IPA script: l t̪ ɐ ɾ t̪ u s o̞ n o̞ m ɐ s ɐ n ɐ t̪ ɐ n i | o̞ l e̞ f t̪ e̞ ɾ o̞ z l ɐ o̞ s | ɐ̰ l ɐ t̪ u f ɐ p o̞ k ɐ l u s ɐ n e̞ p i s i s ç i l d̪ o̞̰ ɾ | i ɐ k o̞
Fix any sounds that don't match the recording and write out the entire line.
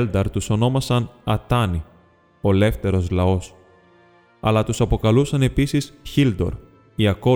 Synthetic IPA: l d̪ ɐ ɾ t̪ u s o̞ n o̞ m ɐ s ɐ n ɐ t̪ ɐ n i | o̞ l e̞ f t̪ e̞ ɾ o̞ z l ɐ o̞ s | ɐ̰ l ɐ t̪ u s ɐ p o̞ k ɐ l u s ɐ n e̞ p i s i s ç i l d̪ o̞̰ ɾ | i ɐ k o̞